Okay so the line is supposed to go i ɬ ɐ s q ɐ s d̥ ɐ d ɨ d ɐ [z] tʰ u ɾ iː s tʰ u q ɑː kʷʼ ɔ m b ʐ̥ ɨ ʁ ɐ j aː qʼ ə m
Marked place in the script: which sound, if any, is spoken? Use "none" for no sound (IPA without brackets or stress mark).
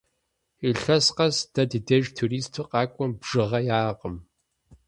ʒ